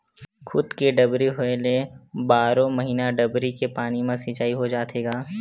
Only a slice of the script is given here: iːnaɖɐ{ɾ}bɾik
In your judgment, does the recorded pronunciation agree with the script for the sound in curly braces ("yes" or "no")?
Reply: no